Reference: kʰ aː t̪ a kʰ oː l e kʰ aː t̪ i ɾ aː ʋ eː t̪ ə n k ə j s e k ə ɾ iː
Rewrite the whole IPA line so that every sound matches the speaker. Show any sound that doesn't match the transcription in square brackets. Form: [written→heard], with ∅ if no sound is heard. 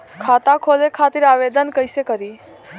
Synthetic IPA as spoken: kʰ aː t̪ a kʰ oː l e kʰ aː t̪ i ɾ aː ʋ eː [t̪→d̪] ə n k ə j s e k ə ɾ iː